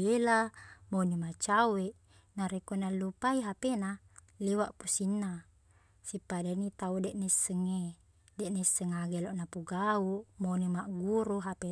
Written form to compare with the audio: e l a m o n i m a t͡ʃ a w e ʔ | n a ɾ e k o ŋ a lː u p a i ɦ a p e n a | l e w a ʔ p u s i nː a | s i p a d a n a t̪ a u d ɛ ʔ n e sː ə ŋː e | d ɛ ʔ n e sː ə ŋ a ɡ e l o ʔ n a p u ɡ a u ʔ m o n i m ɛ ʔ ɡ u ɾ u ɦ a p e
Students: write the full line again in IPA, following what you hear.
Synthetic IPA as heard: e l a m o n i m a t͡ʃ a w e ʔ | n a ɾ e k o n a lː u p a i ɦ a p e n a | l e w a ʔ p u s i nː a | s i p a d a n i t̪ a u d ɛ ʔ n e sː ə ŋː e | d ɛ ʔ n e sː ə ŋ a ɡ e l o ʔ n a p u ɡ a u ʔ m o n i m a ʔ ɡ u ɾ u ɦ a p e